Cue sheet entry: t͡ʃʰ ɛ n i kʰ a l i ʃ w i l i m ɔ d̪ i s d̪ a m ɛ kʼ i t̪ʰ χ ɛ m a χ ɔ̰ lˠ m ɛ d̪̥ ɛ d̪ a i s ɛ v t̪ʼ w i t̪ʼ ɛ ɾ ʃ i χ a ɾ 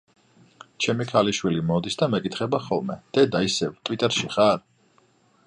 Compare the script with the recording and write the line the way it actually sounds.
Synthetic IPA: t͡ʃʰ ɛ m i kʰ a l i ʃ w i l i m ɔ d̪ i s d̪ a m ɛ kʼ i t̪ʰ χ ɛ b a χ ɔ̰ lˠ m ɛ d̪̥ ɛ d̪ a i s ɛ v t̪ʼ w i t̪ʼ ɛ ɾ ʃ i χ a ɾ